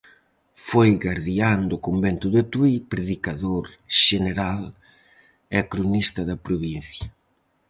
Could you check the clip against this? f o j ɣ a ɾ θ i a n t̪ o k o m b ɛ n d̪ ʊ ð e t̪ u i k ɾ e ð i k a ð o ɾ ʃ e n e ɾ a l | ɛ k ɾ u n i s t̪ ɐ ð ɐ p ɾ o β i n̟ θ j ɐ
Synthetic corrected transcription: f o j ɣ a ɾ ð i a n d̪ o k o m b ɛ n t̪ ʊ ð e t̪ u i p ɾ e ð i k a ð o ɾ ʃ e n e ɾ a l | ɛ k ɾ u n i s t̪ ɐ ð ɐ p ɾ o β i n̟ θ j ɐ